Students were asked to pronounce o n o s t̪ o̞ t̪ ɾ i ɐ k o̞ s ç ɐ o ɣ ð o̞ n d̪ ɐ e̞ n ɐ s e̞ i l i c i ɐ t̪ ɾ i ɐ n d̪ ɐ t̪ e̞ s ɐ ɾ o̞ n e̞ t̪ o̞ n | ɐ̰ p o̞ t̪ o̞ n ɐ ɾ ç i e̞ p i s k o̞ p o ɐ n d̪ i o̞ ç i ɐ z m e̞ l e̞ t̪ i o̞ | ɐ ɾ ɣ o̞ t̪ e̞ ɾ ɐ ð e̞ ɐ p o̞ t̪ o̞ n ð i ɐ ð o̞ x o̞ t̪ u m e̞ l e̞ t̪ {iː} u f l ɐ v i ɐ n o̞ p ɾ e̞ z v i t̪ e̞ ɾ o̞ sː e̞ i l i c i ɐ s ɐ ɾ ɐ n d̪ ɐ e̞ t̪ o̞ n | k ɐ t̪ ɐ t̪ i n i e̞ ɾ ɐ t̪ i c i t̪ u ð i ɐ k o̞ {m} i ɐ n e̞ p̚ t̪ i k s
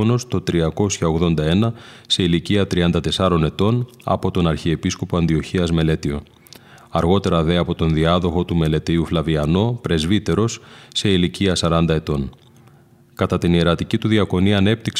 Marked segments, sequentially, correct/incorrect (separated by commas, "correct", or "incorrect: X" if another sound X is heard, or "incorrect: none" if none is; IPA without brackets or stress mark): incorrect: i, incorrect: n